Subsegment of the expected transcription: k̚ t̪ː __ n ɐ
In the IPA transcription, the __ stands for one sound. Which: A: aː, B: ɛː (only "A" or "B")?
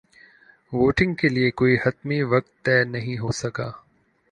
B